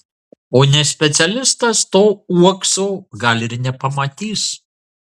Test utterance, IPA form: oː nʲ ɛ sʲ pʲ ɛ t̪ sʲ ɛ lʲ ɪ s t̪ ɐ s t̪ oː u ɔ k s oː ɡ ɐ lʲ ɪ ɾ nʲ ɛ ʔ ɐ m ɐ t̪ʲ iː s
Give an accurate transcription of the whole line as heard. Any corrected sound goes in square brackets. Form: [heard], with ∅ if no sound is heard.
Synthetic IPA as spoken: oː nʲ ɛ sʲ pʲ ɛ t̪ sʲ ɛ lʲ ɪ s t̪ ɐ s t̪ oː u ɔ k s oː ɡ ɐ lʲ ɪ ɾ nʲ ɛ [p] ɐ m ɐ t̪ʲ iː s